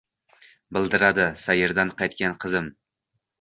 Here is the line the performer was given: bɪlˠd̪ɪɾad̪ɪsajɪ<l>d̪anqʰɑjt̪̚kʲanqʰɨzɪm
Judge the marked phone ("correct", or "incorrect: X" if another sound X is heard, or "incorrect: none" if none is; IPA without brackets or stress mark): incorrect: ɾ